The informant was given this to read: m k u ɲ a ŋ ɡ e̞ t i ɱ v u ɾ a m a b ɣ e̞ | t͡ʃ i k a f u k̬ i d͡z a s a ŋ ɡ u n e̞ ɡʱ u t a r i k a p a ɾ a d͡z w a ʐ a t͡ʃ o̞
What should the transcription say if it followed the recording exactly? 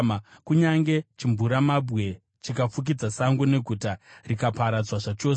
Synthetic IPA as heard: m k u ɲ a ŋ ɡ e̞ t͡ʃ i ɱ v u ɾ a m a b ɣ e̞ | t͡ʃ i k a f u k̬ i d͡z a s a ŋ ɡ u n e̞ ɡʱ u t a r i k a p a ɾ a d͡z w a ʐ a t͡ʃ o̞